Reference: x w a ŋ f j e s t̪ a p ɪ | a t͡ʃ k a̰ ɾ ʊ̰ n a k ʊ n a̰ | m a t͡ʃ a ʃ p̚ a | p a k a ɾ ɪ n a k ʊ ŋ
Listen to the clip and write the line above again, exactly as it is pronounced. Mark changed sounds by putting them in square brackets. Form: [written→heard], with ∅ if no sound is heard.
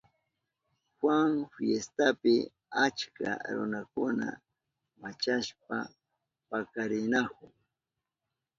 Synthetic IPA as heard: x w a ŋ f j e s t̪ a p ɪ | a t͡ʃ k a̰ ɾ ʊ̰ n a k ʊ n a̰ | m a t͡ʃ a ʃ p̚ a | p a k a ɾ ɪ n a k ʊ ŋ